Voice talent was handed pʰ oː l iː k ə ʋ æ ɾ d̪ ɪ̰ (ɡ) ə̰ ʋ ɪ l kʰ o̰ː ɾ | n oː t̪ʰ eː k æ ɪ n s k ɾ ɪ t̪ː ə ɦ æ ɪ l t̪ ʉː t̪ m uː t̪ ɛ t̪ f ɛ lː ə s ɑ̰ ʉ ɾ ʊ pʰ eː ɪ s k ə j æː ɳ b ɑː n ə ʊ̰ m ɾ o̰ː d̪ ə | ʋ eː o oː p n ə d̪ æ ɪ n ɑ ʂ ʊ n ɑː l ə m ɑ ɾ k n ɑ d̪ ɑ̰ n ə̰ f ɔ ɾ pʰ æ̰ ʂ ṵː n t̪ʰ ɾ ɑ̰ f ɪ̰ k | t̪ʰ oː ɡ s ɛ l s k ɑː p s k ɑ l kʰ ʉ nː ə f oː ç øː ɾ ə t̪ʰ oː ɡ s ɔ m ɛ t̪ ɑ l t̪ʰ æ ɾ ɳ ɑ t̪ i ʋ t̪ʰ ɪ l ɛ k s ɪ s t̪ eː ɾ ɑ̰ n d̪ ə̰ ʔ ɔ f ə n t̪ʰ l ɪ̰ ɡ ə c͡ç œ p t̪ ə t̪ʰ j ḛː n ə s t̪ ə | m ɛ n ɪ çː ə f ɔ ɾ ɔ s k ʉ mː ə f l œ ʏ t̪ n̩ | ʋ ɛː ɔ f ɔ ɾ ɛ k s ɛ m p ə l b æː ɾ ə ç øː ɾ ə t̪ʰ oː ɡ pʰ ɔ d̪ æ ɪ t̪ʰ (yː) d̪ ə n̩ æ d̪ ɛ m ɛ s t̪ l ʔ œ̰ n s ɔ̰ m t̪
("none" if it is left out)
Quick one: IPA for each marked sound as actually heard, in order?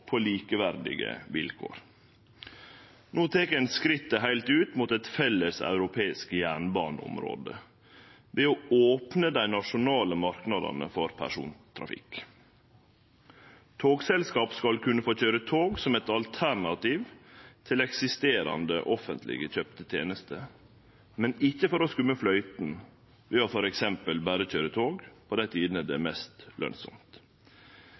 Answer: ɡ, iː

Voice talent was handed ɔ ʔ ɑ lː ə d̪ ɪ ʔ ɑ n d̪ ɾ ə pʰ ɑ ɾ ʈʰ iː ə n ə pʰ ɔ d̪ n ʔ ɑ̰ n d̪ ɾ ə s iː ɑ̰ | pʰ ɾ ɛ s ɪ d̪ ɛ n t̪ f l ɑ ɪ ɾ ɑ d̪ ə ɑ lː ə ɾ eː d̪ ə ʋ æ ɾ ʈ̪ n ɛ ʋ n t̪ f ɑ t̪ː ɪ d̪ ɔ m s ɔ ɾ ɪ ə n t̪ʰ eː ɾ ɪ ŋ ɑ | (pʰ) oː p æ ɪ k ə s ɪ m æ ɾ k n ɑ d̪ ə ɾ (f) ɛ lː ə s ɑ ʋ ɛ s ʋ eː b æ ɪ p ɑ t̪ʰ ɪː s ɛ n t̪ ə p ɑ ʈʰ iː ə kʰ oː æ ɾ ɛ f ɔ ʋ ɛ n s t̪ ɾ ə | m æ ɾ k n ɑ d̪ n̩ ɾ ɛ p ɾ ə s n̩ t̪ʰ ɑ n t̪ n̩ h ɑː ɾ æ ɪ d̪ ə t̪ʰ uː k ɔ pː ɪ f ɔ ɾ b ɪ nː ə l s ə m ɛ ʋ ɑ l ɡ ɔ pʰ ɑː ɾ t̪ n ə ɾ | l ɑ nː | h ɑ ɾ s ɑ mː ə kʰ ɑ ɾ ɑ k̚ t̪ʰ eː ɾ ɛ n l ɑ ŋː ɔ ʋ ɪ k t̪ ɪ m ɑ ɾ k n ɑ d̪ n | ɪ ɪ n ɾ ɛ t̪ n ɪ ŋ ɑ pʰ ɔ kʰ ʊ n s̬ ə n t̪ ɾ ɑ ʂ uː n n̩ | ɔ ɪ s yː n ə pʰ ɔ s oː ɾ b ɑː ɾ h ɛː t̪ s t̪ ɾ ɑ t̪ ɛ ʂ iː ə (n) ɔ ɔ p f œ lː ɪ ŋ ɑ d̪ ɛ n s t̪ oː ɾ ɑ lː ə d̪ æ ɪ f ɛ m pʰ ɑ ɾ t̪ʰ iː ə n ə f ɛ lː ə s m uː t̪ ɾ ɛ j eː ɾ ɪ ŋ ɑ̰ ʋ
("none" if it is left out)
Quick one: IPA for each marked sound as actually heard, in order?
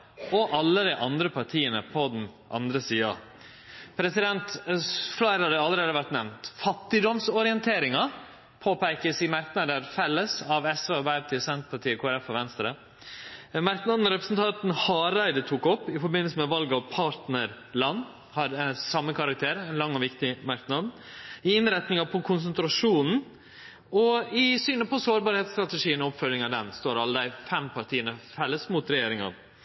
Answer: pʰ, f, n

